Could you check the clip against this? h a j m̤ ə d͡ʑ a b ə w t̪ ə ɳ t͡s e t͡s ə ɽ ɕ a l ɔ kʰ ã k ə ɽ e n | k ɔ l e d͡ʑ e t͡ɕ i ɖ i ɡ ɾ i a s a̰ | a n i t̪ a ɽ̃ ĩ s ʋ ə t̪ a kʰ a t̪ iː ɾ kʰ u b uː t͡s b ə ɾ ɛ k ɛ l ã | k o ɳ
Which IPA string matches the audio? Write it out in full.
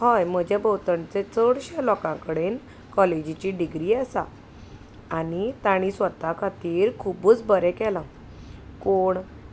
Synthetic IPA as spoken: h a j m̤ ə d͡ʑ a b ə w t̪ ə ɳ t͡s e t͡s ə ɽ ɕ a l ɔ k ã k ə ɽ e n | k ɔ l e d͡ʑ i t͡ɕ i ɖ i ɡ ɾ i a s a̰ | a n i t̪ a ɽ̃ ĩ s ʋ ə t̪ a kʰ a t̪ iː ɾ kʰ u b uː t͡s b ə ɾ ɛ k ɛ l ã | k o ɳ